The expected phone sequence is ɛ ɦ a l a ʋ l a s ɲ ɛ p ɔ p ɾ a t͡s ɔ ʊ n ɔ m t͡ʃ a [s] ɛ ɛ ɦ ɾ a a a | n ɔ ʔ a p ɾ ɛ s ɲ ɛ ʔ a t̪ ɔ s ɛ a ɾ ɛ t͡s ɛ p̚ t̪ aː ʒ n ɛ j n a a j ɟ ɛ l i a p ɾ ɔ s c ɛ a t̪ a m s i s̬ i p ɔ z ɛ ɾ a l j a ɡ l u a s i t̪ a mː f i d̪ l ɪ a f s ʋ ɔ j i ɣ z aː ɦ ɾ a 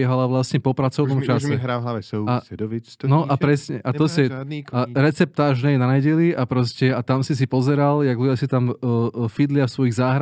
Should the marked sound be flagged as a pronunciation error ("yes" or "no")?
no